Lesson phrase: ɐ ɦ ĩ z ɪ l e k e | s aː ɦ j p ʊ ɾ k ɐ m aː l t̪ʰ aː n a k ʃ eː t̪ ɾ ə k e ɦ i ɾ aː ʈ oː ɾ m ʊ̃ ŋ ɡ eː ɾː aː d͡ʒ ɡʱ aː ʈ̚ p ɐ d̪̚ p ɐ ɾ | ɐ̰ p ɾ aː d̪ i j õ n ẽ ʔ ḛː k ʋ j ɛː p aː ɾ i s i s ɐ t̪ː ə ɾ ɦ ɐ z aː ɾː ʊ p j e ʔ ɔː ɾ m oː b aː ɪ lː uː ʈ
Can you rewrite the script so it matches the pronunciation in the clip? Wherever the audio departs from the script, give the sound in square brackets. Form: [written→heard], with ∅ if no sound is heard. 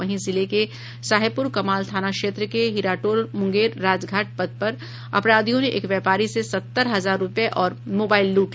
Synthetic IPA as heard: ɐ ɦ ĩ z ɪ l e k e | s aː ɦ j p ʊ ɾ k ɐ m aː l t̪ʰ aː n a k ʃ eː t̪ ɾ ə k e ɦ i ɾ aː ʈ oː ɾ m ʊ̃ ŋ ɡ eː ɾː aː d͡ʒ ɡʱ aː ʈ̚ p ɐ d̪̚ p ɐ ɾ | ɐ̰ p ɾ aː d̪ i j õ n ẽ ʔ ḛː k ʋ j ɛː p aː ɾ i s [i→e] s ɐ t̪ː ə ɾ ɦ ɐ z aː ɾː ʊ p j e ʔ ɔː ɾ m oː b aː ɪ lː uː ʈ